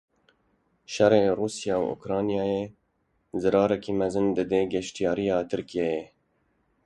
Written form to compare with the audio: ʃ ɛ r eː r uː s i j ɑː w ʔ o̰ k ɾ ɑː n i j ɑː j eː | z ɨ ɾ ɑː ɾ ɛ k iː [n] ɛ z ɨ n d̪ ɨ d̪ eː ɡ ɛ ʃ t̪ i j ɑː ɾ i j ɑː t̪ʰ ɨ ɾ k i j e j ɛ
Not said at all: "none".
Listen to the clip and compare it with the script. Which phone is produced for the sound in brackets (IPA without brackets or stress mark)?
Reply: m